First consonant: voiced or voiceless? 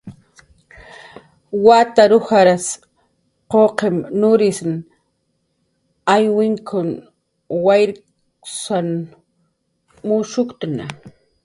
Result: voiced